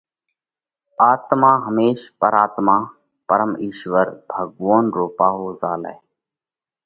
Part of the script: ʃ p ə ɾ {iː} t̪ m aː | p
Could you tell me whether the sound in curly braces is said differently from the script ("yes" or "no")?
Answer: yes